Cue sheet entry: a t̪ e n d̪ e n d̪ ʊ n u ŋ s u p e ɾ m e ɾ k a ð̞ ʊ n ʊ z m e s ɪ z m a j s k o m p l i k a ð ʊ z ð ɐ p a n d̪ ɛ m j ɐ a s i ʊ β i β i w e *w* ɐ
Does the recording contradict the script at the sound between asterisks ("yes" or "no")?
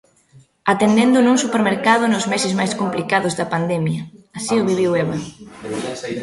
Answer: yes